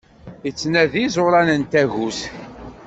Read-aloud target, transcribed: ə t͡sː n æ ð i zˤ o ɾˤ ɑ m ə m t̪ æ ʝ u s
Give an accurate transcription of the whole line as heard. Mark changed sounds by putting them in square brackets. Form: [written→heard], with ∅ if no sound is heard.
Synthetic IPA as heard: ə t͡sː n æ ð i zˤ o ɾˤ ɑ [m→n] ə [m→n] t̪ æ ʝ u s